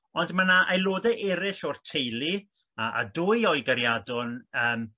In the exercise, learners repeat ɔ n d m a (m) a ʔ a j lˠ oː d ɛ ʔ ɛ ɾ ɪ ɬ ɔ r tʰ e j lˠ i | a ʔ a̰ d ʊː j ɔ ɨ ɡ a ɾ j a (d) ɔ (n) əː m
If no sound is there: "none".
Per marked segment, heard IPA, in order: n, d, n

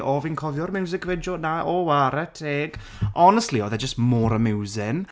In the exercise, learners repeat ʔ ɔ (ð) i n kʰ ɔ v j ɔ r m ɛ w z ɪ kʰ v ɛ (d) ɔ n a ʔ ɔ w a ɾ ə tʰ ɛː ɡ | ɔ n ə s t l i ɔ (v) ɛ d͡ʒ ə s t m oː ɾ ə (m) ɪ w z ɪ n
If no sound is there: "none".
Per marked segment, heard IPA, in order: v, d͡ʒ, ð, m

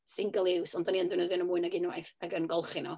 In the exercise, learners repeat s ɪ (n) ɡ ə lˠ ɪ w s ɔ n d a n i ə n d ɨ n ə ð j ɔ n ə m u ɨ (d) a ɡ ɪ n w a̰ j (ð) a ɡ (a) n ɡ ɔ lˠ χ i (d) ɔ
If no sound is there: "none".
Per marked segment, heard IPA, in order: ŋ, n, θ, ə, n

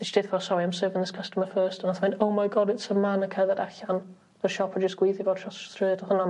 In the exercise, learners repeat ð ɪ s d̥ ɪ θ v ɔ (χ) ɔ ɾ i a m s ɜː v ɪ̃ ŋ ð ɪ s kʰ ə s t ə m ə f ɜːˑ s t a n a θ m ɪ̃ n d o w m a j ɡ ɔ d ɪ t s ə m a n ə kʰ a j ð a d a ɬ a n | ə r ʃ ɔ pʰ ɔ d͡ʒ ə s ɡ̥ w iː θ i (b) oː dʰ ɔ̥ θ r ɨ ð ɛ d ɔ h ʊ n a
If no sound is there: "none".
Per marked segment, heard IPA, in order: s, v

